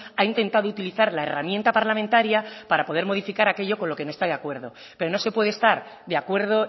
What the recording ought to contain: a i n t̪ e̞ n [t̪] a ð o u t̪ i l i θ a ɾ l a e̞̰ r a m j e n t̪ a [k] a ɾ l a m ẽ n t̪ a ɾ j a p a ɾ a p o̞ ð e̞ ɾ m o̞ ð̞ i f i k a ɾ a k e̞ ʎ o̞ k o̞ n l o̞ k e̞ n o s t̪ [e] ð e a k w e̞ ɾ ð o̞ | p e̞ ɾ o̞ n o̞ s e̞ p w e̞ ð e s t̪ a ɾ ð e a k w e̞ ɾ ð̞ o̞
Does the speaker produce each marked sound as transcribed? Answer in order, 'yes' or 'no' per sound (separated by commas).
yes, no, no